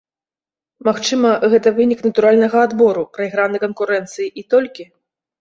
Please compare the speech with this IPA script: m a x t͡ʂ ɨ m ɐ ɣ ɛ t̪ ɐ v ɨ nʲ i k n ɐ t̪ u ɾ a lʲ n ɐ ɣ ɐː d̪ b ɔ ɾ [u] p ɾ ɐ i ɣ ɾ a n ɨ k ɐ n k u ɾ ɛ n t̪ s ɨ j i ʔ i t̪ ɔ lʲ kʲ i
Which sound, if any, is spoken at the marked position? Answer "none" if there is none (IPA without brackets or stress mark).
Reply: u